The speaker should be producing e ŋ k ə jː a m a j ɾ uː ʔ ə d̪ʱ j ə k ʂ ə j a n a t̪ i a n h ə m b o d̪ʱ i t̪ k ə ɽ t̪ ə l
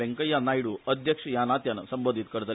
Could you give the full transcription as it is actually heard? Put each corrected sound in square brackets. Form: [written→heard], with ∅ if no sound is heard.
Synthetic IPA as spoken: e ŋ k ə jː a [m→n] a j [ɾ→ɽ] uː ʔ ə d̪ʱ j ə k ʂ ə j a n a t̪ [i→j] a n [h→s] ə m b o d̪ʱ i t̪ k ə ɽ t̪ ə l